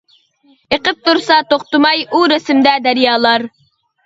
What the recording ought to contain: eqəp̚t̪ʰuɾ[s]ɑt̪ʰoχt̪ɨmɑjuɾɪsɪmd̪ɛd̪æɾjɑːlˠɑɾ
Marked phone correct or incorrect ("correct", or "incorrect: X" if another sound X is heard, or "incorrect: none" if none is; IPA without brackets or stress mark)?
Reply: correct